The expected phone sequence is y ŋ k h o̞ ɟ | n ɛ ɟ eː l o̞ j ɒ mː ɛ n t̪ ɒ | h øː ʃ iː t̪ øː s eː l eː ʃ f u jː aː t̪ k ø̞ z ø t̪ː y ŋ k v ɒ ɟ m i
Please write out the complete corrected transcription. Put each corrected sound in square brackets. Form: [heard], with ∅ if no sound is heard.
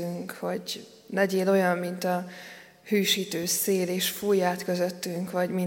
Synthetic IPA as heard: y ŋ k h o̞ ɟ | n ɛ ɟ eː l o̞ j ɒ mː [i] n t̪ ɒ | h [yː] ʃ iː t̪ øː s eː l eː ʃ f u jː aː t̪ k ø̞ z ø t̪ː y ŋ k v ɒ ɟ m i